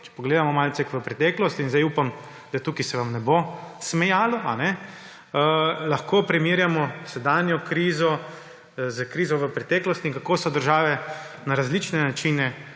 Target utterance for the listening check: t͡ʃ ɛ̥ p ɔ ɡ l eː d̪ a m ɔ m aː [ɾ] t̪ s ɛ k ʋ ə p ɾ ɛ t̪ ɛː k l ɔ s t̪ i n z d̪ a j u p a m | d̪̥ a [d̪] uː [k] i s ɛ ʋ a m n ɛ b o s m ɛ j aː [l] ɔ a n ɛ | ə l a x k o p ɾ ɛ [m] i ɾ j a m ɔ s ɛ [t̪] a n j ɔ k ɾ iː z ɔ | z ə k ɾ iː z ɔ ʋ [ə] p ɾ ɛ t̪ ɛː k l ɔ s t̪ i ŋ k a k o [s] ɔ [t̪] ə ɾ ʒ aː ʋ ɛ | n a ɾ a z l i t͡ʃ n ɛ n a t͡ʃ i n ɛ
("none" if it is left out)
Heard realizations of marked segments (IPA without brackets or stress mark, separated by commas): l, t̪, k, l, m, d̪, ə, s, d̪